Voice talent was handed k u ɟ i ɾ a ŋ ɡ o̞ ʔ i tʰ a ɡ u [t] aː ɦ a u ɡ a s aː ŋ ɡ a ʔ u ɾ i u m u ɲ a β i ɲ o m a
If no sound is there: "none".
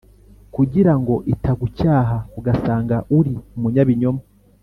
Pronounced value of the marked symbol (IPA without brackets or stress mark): c